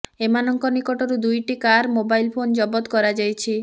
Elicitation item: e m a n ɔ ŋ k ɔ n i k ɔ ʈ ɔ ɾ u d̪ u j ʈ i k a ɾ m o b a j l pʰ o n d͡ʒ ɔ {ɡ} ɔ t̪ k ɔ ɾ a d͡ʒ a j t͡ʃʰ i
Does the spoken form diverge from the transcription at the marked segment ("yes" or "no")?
yes